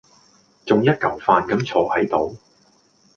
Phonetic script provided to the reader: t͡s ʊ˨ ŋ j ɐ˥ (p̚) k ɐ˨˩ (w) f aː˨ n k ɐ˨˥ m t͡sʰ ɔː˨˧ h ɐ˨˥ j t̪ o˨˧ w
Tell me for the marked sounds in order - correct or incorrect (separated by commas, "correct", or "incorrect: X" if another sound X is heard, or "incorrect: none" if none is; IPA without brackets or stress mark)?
incorrect: t̚, correct